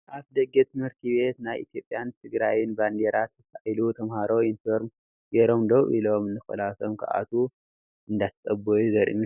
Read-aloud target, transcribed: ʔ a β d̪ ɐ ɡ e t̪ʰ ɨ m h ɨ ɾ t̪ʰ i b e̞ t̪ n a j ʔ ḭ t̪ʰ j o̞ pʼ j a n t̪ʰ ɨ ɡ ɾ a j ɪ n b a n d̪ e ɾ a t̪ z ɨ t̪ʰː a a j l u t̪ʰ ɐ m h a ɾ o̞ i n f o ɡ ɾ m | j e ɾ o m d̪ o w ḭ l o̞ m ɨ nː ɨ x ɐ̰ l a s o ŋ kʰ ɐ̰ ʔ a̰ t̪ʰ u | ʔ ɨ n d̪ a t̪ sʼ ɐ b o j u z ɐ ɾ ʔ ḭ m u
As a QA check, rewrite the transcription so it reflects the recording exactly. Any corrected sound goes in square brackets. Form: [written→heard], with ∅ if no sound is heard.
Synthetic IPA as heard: ʔ a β d̪ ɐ ɡ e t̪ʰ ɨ m h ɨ ɾ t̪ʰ i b e̞ t̪ n a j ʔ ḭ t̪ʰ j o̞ pʼ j a n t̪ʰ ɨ ɡ ɾ a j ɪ n b a n d̪ e ɾ a t̪ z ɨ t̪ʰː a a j l u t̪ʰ ɐ m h a ɾ o̞ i n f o [ɡ→∅] ɾ m | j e ɾ o m d̪ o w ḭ l o̞ m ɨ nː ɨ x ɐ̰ l a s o [ŋ→m] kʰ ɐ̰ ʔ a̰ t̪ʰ u | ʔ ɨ n d̪ a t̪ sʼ ɐ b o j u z ɐ ɾ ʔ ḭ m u